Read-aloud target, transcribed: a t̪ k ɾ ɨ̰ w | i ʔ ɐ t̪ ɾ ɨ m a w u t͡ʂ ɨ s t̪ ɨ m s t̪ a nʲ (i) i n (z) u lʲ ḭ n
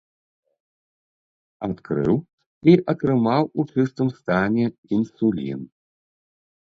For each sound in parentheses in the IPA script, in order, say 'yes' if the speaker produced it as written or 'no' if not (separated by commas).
no, no